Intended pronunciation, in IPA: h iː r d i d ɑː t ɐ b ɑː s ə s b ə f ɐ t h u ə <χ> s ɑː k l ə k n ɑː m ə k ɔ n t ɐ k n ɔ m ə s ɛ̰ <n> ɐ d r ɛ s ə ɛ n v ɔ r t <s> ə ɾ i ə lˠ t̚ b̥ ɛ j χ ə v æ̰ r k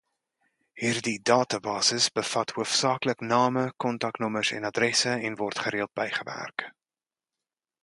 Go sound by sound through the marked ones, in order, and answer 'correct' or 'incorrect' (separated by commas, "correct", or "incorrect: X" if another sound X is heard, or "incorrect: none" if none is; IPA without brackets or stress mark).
incorrect: f, correct, incorrect: χ